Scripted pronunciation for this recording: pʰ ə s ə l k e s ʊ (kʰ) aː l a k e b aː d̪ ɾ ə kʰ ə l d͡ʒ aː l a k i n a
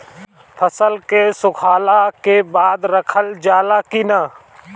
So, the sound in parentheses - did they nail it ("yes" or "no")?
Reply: yes